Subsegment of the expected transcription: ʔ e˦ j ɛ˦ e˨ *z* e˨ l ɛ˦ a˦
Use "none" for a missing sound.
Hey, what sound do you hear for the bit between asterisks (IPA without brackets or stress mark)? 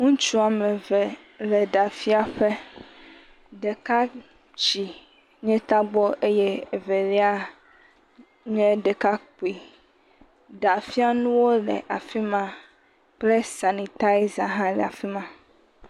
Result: v